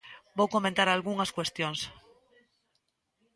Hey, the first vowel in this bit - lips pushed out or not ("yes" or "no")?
yes